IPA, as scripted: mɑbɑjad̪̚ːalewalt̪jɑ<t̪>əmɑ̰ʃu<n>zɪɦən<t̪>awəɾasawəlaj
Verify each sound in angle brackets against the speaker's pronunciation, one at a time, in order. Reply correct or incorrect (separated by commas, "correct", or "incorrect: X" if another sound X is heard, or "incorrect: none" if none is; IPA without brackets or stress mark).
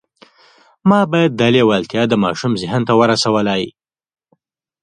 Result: incorrect: d̪, incorrect: m, correct